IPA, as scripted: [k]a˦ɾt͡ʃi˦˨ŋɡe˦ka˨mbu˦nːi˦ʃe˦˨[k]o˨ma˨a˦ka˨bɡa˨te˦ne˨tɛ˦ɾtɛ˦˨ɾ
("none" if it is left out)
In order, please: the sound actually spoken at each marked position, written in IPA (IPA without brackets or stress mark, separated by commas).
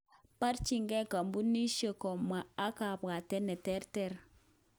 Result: p, k